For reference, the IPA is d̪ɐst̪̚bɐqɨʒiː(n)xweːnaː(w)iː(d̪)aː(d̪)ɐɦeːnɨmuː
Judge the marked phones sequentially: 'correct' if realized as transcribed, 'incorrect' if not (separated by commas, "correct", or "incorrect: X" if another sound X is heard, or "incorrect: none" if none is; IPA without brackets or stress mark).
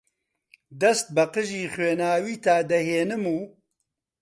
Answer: incorrect: none, correct, incorrect: t̪, correct